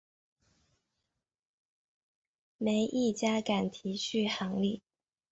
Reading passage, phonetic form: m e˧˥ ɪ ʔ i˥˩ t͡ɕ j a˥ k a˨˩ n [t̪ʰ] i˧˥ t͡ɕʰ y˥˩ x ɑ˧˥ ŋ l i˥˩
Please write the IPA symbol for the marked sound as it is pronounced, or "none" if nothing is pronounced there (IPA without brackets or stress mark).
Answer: t̪ʰ